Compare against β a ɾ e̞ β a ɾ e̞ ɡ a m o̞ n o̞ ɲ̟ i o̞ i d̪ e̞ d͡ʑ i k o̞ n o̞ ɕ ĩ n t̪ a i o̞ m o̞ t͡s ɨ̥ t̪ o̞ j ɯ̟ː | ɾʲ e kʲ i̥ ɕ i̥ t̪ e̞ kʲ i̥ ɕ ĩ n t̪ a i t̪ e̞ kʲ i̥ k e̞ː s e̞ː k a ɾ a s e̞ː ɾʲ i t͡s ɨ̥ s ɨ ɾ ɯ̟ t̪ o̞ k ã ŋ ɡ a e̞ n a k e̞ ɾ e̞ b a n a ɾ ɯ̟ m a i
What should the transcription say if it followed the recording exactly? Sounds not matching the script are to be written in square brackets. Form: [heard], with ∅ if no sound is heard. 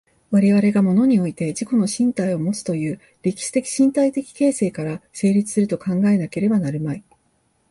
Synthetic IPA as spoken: β a ɾ e̞ β a ɾ e̞ ɡ a m o̞ n o̞ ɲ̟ i o̞ i [t̪] e̞ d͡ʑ i k o̞ n o̞ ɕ ĩ n t̪ a i o̞ m o̞ t͡s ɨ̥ t̪ o̞ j ɯ̟ː | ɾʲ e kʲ i̥ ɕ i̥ t̪ e̞ kʲ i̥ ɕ ĩ n t̪ a i t̪ e̞ kʲ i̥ k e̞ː s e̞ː k a ɾ a s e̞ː ɾʲ i t͡s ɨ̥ s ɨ ɾ ɯ̟ t̪ o̞ k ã ŋ ɡ a e̞ n a k e̞ ɾ e̞ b a n a ɾ ɯ̟ m a i